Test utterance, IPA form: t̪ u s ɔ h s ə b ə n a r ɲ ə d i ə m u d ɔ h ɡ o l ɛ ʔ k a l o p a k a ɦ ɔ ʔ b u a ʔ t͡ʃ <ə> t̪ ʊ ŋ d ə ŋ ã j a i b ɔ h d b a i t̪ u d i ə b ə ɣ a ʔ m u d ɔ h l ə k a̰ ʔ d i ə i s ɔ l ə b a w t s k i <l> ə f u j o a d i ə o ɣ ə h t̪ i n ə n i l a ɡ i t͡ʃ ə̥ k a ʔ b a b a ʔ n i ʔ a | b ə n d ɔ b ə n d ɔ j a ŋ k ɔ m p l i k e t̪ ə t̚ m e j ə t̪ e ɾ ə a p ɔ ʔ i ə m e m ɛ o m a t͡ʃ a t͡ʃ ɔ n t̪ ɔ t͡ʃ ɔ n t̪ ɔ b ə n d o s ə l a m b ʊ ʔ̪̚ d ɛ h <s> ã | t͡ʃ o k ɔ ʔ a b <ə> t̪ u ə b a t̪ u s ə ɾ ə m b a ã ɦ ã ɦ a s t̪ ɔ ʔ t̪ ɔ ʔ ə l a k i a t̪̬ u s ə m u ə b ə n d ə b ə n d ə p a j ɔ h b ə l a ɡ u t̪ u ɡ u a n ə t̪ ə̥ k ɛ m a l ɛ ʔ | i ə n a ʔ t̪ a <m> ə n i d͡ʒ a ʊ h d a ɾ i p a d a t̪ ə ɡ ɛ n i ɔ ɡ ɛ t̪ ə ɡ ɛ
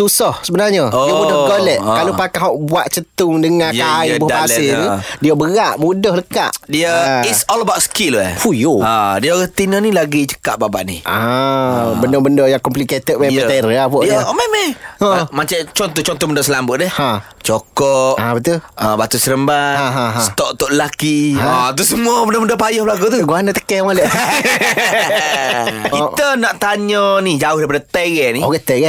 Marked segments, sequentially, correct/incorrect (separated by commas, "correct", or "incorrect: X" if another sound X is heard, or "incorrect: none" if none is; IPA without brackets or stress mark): correct, correct, incorrect: h, correct, incorrect: ɲ